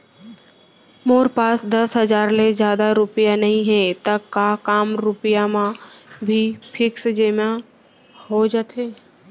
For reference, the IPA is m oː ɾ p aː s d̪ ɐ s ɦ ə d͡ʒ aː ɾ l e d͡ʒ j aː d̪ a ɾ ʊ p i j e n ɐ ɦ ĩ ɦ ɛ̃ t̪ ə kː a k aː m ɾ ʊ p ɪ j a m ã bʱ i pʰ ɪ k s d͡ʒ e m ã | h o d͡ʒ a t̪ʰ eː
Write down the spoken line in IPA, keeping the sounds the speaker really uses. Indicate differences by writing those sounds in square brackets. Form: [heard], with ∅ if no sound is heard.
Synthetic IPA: m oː ɾ p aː s d̪ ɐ s ɦ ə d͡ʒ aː ɾ l e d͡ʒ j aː d̪ a ɾ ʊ p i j [a] n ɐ ɦ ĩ ɦ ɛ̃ t̪ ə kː a k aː m ɾ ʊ p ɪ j a m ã bʱ i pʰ ɪ k s d͡ʒ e m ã | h o d͡ʒ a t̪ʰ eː

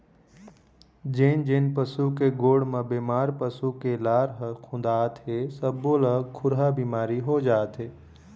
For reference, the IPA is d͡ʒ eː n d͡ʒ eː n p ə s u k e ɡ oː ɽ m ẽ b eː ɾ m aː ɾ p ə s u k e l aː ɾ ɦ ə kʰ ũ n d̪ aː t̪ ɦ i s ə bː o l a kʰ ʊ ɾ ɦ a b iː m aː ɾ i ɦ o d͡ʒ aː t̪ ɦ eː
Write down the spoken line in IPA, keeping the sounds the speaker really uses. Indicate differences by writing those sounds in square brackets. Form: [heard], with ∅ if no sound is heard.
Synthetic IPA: d͡ʒ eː n d͡ʒ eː n p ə s u k e ɡ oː ɽ m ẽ b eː [∅] m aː ɾ p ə s u k e l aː ɾ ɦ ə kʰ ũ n d̪ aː t̪ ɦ [e] s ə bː o l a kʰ ʊ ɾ ɦ a b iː m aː ɾ i ɦ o d͡ʒ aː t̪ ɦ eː

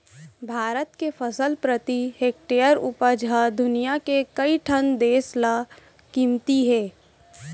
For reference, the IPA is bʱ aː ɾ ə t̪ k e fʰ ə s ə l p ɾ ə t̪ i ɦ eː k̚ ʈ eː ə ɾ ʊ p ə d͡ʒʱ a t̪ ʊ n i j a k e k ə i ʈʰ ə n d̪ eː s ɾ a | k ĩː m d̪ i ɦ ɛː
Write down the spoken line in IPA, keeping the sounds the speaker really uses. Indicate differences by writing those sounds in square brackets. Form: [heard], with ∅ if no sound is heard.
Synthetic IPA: bʱ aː ɾ ə t̪ k e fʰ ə s ə l p ɾ ə t̪ i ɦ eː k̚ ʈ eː ə ɾ ʊ p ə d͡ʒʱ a [d̪] ʊ n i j a k e k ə i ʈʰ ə n d̪ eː s [l] a | k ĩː m [t̪] i ɦ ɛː

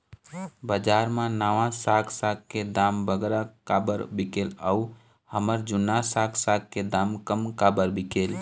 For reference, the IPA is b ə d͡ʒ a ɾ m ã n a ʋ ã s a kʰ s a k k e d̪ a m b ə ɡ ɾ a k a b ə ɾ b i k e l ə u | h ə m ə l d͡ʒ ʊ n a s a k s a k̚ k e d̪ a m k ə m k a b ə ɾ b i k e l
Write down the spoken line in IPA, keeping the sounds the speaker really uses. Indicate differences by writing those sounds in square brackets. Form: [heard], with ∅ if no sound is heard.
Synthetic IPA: b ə d͡ʒ a ɾ m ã n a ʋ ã s a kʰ s a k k e d̪ a m b ə ɡ ɾ a k a b ə ɾ b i k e l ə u | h ə m ə [ɾ] d͡ʒ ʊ n a s a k s a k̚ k e d̪ a m k ə m k a b ə ɾ b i k e l

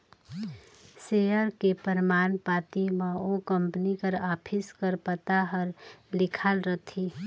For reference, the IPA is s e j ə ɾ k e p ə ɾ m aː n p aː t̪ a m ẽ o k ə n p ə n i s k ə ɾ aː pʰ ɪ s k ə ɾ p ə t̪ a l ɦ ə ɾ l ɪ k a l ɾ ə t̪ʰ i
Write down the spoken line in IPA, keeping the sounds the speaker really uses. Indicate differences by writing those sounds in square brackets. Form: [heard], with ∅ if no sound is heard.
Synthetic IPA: s e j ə ɾ k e p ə ɾ m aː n p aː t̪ [i] m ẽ o k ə [m] p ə n i [∅] k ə ɾ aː pʰ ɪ s k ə ɾ p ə t̪ a [∅] ɦ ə ɾ l ɪ [kʰ] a l ɾ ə t̪ʰ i

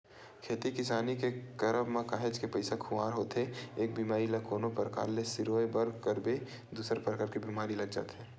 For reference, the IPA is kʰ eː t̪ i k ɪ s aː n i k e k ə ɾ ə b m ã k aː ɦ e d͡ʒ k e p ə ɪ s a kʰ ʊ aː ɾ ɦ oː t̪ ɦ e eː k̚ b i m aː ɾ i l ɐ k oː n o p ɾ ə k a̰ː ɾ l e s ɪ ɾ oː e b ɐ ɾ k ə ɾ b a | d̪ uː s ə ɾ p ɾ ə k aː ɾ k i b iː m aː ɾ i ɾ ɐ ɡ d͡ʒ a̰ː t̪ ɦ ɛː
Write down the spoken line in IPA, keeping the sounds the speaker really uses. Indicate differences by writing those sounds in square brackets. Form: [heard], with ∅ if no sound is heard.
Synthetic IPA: kʰ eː t̪ i k ɪ s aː n i k e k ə ɾ ə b m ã k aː ɦ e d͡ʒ k e p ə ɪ s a kʰ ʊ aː ɾ ɦ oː t̪ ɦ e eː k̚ b i m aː ɾ i l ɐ k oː n o p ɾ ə k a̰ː ɾ l e s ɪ ɾ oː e b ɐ ɾ k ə ɾ b [e] | d̪ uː s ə ɾ p ɾ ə k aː ɾ k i b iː m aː ɾ i [l] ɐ ɡ d͡ʒ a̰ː t̪ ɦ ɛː

